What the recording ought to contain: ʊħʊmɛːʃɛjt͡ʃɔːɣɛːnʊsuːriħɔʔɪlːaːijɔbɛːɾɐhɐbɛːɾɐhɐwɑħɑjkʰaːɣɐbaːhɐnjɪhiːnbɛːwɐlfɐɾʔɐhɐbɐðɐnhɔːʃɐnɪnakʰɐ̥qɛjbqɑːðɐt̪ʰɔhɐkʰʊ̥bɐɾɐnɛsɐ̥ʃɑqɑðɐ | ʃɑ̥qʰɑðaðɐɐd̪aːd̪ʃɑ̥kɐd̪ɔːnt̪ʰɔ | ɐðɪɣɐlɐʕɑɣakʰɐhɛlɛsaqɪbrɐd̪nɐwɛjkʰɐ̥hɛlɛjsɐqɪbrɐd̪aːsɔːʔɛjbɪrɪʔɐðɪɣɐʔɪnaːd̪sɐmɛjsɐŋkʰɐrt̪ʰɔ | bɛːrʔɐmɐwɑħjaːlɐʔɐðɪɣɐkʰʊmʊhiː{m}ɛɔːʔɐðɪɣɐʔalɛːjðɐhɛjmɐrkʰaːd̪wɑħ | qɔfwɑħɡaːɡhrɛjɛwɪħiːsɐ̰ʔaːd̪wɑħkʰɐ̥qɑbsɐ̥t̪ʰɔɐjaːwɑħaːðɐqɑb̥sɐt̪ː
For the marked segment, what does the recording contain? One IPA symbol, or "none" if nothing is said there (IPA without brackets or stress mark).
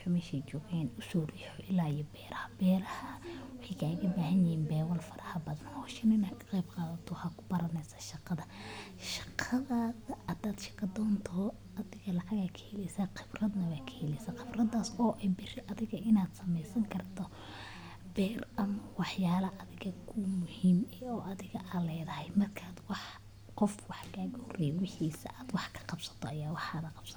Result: m